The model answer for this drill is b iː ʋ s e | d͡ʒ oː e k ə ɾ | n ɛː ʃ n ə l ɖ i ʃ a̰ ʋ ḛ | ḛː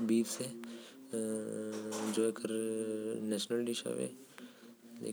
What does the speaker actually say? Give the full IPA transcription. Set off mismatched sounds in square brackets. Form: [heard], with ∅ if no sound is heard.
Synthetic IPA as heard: b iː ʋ s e | d͡ʒ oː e k ə ɾ | n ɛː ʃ n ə l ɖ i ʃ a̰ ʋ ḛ | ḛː